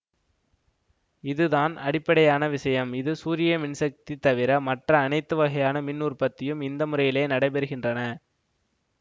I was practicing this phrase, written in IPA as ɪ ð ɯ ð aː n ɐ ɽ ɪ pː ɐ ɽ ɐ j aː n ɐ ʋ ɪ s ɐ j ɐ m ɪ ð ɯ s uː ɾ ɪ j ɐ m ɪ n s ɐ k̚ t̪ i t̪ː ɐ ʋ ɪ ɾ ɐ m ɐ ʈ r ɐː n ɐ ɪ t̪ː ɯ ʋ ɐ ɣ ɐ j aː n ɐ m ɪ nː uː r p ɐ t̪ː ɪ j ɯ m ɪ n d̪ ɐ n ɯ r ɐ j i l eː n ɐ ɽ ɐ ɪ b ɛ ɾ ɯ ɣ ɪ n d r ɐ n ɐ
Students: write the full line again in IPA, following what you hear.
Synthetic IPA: ɪ ð ɯ ð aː n ɐ ɽ ɪ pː ɐ ɽ ɐ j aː n ɐ ʋ ɪ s ɐ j ɐ m ɪ ð ɯ s uː ɾ ɪ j ɐ m ɪ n s ɐ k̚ t̪ i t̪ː ɐ ʋ ɪ ɾ ɐ m ɐ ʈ r ɐː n ɐ ɪ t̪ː ɯ ʋ ɐ ɣ ɐ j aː n ɐ m ɪ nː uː r p ɐ t̪ː ɪ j ɯ m ɪ n d̪ ɐ m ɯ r ɐ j ɪ l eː n ɐ ɽ ɐ ɪ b ɛ ɾ ɯ ɣ ɪ n d r ɐ n ɐ